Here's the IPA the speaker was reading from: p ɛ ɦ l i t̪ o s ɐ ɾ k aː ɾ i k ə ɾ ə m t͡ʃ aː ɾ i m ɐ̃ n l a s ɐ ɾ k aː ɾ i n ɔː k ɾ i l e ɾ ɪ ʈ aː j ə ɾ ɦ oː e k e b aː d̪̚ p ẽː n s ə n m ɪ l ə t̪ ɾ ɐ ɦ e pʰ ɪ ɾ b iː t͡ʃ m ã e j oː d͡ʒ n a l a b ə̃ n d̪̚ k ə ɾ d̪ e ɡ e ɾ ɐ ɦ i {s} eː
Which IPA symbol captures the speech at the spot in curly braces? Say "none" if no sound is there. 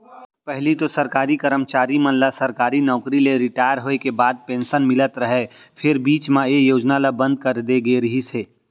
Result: s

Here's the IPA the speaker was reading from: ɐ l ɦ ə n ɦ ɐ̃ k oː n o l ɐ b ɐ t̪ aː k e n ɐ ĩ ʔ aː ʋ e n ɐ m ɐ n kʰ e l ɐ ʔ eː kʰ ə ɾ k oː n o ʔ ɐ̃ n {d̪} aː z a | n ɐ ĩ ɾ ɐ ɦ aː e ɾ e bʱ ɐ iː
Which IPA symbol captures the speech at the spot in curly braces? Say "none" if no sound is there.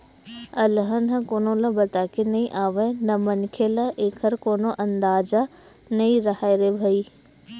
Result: d̪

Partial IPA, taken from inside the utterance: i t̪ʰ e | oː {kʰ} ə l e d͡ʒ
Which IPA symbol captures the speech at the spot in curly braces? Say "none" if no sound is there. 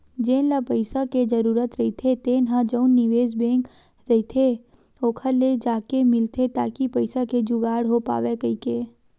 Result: kʰ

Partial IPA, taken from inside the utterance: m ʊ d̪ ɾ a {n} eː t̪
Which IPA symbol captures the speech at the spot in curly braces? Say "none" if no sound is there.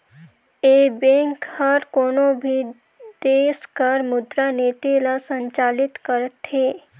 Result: n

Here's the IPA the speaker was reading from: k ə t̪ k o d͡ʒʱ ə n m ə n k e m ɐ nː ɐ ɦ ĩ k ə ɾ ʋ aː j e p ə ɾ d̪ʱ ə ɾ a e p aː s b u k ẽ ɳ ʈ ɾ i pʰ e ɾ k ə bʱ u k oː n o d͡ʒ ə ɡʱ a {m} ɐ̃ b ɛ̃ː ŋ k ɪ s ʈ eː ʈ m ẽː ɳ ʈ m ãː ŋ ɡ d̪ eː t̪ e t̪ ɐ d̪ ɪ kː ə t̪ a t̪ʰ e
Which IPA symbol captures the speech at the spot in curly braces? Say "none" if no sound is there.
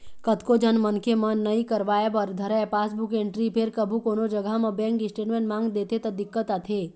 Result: m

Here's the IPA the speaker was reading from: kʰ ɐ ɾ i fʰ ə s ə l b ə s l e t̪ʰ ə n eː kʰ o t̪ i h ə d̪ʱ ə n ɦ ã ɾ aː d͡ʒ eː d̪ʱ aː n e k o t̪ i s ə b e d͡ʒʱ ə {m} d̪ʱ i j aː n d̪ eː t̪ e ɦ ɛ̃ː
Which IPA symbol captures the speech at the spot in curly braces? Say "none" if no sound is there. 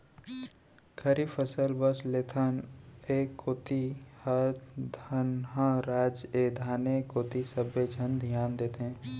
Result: n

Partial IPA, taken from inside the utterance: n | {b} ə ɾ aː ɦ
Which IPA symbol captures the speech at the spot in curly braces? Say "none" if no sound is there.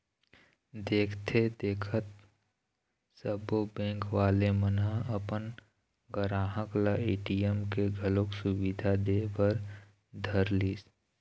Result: ɡ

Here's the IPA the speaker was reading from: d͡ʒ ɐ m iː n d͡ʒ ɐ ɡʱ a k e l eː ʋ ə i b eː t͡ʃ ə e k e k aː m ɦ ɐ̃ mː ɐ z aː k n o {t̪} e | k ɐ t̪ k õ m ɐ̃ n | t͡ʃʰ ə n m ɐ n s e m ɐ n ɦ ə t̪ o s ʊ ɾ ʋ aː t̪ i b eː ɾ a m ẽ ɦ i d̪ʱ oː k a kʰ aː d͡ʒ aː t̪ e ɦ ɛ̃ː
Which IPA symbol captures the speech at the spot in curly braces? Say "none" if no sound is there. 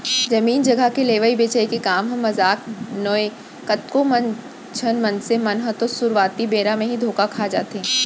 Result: none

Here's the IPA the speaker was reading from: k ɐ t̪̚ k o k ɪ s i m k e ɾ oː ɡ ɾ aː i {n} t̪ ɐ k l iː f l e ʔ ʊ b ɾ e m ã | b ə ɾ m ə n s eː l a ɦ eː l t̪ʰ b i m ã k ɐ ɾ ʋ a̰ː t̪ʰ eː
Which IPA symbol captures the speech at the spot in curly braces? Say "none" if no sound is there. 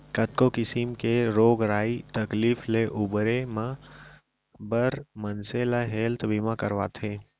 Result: none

